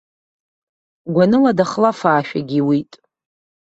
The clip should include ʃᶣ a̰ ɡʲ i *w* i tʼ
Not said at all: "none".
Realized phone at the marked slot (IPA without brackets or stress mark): w